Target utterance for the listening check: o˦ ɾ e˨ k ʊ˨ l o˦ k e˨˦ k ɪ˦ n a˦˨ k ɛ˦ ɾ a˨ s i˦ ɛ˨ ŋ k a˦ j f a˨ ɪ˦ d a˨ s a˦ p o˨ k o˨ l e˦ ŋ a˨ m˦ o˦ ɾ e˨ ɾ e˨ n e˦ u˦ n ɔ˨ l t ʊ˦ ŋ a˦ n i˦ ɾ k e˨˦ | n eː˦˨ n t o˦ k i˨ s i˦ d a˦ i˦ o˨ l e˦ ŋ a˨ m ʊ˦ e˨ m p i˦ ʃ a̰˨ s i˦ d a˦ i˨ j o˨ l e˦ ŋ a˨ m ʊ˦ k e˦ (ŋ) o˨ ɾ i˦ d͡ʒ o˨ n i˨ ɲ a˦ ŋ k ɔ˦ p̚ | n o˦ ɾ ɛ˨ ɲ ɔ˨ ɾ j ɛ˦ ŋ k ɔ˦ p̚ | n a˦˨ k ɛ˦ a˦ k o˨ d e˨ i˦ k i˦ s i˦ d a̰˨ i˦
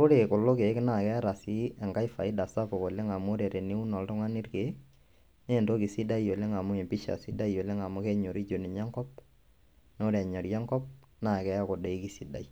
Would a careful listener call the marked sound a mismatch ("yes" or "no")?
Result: yes